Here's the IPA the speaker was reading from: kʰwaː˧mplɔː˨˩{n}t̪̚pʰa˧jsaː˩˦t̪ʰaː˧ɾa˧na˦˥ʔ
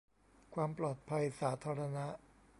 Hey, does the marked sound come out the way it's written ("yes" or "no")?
no